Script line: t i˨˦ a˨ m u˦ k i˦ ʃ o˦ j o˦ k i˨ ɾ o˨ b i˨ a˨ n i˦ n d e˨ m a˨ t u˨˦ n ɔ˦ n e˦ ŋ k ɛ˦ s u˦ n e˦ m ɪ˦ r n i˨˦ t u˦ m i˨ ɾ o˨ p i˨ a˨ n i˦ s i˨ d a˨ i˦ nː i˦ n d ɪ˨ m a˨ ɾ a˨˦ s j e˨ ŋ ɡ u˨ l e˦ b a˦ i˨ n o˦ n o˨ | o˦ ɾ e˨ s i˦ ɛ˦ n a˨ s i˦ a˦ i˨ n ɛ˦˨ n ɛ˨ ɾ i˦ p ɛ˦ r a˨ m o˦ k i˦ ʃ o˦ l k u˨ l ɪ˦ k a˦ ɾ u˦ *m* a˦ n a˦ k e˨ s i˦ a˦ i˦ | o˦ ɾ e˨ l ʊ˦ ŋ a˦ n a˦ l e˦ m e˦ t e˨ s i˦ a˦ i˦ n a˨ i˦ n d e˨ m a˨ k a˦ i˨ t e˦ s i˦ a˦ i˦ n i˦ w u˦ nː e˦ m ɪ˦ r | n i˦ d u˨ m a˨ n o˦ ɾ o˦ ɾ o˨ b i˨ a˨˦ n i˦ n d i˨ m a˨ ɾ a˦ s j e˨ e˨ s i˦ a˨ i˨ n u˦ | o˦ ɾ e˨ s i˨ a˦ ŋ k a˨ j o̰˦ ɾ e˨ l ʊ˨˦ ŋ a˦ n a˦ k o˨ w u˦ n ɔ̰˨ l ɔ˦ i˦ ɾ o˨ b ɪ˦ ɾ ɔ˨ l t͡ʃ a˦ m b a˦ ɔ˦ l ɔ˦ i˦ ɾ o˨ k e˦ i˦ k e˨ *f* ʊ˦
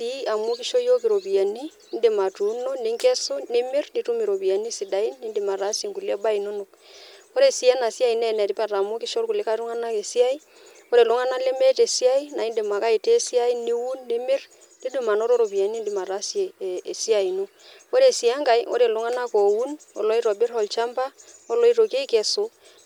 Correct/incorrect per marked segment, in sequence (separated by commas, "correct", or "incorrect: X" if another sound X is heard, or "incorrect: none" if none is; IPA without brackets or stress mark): incorrect: ŋ, incorrect: s